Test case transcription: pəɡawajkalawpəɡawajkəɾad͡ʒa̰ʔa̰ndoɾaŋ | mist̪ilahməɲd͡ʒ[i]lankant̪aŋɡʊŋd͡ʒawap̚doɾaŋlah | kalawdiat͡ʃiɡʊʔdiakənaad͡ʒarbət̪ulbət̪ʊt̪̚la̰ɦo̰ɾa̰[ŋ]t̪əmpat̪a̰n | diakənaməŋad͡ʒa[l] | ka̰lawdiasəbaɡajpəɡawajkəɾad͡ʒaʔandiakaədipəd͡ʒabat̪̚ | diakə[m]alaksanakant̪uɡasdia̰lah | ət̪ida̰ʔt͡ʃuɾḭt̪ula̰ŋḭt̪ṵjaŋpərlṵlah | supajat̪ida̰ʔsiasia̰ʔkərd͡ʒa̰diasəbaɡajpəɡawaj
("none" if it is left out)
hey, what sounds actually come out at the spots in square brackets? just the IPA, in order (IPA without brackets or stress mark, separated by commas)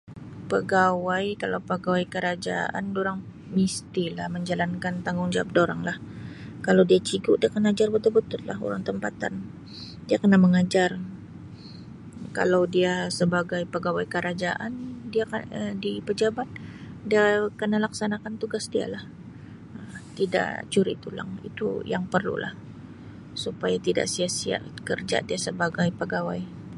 a, ŋ, r, n